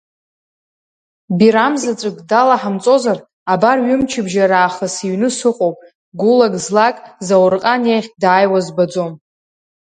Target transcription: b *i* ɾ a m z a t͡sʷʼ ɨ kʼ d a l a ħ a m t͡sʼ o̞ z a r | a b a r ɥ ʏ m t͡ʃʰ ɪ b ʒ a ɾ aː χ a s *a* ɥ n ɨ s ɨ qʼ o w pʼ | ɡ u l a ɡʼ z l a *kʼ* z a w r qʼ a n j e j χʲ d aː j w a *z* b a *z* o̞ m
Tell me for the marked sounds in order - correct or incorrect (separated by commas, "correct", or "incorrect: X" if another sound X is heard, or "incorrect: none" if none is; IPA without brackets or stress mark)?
correct, incorrect: i, correct, correct, incorrect: d͡z